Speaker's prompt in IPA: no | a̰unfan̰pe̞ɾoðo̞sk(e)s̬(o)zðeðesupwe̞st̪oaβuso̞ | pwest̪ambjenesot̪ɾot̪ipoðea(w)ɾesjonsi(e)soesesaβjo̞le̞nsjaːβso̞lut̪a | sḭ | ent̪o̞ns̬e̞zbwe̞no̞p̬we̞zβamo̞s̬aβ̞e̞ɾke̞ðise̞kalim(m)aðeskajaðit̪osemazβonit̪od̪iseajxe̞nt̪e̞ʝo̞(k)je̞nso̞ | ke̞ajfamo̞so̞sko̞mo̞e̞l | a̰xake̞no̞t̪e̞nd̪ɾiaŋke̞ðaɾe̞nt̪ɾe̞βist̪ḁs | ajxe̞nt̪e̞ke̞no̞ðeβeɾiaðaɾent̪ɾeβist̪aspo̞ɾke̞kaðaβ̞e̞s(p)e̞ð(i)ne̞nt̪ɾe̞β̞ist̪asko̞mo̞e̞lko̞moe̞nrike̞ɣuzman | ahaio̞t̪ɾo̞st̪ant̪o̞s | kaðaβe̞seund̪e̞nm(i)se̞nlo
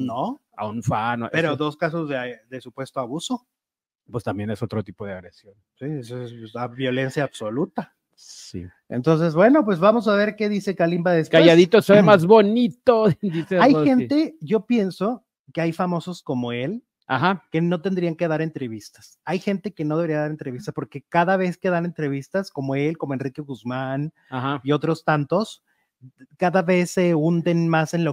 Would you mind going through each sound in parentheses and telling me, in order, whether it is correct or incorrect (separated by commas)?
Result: incorrect, correct, incorrect, correct, incorrect, incorrect, incorrect, incorrect, incorrect